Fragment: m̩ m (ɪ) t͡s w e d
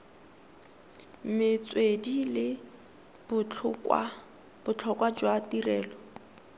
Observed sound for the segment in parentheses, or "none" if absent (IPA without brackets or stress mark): ɪ